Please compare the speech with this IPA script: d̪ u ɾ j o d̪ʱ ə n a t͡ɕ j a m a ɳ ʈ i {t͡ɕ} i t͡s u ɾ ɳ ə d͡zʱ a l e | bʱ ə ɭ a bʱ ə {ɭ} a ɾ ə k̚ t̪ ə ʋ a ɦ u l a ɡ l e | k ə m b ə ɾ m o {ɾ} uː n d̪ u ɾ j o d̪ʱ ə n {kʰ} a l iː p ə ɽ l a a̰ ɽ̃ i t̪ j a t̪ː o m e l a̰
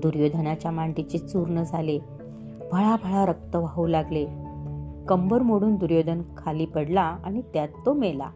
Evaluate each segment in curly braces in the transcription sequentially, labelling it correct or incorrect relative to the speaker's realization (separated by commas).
correct, correct, incorrect, correct